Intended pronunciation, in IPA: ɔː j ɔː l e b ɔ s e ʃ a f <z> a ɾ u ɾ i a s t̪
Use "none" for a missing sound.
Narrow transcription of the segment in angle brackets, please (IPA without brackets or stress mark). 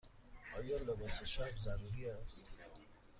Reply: z